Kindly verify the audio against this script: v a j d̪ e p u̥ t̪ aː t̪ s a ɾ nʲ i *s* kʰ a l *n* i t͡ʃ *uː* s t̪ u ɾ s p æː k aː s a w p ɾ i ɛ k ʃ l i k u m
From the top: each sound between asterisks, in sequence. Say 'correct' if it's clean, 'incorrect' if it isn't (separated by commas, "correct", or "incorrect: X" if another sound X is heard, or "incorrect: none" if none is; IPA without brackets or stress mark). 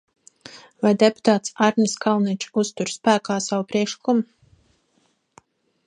correct, correct, incorrect: u